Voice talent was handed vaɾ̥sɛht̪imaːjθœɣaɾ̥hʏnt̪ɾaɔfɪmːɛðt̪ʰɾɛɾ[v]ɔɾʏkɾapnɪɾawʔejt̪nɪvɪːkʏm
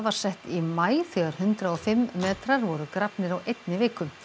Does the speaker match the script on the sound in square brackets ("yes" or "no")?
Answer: yes